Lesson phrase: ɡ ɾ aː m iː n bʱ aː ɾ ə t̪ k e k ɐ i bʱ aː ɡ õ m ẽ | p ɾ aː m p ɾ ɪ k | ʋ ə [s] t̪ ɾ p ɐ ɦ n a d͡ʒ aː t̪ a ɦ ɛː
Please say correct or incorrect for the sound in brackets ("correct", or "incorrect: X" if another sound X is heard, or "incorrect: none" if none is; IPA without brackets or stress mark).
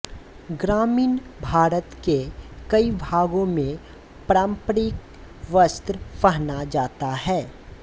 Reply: correct